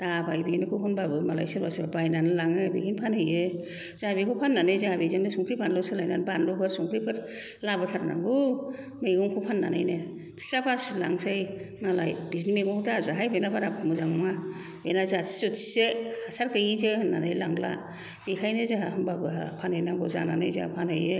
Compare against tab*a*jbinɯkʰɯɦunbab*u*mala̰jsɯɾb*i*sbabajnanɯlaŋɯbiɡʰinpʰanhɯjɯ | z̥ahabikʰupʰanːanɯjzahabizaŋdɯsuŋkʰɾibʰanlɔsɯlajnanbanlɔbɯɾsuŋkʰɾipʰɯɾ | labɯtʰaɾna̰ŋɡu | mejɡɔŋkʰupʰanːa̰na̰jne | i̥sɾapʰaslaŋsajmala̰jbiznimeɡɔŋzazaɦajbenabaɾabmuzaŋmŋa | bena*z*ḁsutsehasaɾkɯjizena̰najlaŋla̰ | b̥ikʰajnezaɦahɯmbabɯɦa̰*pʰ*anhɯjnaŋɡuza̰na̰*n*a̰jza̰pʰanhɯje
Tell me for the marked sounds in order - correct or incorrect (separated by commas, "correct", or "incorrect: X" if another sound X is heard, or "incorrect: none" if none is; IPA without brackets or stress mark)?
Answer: correct, incorrect: ɯ, incorrect: a, correct, correct, correct